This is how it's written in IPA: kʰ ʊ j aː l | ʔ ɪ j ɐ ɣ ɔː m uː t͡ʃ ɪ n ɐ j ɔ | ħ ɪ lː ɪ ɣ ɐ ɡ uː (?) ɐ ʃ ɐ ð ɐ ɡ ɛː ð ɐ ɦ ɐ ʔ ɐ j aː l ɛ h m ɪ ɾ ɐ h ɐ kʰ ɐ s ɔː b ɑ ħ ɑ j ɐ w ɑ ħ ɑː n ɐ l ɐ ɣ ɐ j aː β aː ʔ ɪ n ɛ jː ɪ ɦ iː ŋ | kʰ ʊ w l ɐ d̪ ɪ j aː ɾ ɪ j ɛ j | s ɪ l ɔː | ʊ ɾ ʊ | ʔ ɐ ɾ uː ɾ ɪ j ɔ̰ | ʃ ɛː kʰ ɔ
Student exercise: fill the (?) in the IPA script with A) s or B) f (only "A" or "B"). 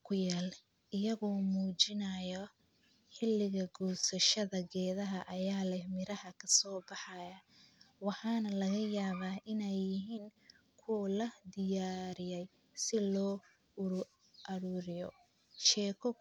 A